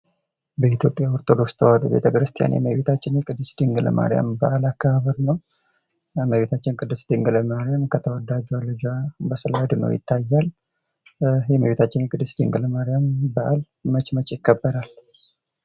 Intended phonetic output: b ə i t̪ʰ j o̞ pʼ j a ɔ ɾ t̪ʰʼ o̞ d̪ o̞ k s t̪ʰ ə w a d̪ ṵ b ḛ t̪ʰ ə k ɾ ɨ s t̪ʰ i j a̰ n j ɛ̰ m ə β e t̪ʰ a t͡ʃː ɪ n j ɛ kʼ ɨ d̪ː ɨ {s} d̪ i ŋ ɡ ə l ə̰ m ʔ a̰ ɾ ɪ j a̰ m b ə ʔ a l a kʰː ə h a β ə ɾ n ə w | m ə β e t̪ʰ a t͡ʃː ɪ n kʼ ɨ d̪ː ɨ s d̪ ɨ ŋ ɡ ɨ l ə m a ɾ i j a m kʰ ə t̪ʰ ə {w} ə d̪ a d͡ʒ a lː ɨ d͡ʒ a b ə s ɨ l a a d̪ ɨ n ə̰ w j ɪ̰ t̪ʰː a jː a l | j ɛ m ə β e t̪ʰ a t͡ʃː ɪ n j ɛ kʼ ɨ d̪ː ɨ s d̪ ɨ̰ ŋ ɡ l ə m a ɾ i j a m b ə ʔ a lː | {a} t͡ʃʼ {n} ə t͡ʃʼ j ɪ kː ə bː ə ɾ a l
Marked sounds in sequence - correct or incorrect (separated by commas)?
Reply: correct, correct, incorrect, incorrect